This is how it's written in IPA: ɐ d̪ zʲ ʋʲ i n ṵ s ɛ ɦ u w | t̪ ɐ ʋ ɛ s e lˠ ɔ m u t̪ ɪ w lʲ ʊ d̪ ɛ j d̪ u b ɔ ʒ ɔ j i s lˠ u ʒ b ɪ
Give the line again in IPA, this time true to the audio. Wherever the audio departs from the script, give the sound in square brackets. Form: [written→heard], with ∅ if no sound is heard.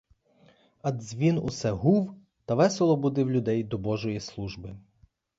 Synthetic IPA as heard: ɐ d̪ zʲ ʋʲ i n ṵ s ɛ ɦ u w | t̪ ɐ ʋ ɛ s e lˠ ɔ [m→b] u [t̪→d̪] ɪ w lʲ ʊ d̪ ɛ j d̪ [u→ɔ] b ɔ ʒ ɔ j i s lˠ u ʒ b ɪ